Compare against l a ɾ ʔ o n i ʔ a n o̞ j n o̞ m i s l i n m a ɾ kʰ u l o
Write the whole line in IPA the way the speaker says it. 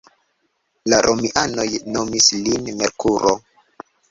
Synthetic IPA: l a ɾ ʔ o m i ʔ a n o̞ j n o̞ m i s l i n m e ɾ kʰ u ɾ o